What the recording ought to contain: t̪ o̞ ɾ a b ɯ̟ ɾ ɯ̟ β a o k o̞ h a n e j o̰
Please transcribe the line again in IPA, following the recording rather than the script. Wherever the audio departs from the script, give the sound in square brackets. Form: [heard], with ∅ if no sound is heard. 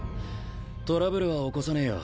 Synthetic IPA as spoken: t̪ o̞ ɾ a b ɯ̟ ɾ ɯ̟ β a o k o̞ [s] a n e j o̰